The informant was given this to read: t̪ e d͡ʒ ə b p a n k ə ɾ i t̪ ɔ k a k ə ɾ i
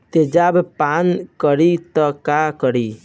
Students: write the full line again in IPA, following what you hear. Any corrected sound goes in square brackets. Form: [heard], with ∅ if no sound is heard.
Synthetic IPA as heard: t̪ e d͡ʒ [a] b p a n k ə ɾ i t̪ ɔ k a k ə ɾ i